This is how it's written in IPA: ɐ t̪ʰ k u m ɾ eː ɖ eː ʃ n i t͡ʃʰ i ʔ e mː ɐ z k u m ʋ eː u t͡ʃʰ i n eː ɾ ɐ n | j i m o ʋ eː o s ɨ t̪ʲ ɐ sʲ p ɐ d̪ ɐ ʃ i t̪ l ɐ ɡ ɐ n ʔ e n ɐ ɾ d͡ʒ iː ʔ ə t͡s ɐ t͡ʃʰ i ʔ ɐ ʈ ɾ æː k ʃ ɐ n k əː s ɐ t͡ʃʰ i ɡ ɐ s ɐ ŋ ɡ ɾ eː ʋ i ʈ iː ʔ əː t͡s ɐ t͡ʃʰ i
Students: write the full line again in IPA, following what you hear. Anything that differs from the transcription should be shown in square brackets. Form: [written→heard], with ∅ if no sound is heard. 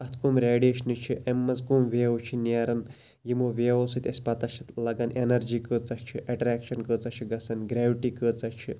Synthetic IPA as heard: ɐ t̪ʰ k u m ɾ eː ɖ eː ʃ n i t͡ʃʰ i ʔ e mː ɐ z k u m ʋ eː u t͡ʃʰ i n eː ɾ ɐ n | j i m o ʋ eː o s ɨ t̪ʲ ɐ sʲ p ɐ [d̪→t̪] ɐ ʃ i t̪ l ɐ ɡ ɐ n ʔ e n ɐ ɾ d͡ʒ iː [ʔ→k] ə t͡s ɐ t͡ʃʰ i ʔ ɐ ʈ ɾ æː k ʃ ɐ n k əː [s→t͡s] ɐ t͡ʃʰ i ɡ ɐ s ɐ [ŋ→n] ɡ ɾ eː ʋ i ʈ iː [ʔ→k] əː t͡s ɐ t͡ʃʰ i

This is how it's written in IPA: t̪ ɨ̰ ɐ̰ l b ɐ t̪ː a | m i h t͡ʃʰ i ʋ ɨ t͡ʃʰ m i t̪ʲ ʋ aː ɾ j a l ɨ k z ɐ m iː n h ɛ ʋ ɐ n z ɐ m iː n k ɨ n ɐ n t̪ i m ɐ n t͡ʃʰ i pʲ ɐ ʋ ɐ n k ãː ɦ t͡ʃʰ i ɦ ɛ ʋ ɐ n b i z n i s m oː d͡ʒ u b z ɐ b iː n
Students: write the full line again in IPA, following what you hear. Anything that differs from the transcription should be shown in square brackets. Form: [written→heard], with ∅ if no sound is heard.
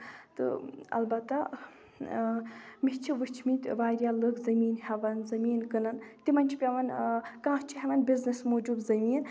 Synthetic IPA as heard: t̪ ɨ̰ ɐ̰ l b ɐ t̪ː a | m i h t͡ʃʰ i ʋ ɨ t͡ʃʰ m i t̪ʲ ʋ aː ɾ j a l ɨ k z ɐ m iː n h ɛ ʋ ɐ n z ɐ m iː n k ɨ n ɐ n t̪ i m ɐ n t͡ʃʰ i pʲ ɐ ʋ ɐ n k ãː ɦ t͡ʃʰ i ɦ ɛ ʋ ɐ n b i z n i s m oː d͡ʒ u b z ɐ [b→m] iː n

